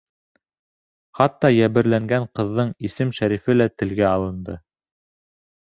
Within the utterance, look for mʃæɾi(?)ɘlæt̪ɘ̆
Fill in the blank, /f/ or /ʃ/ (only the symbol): f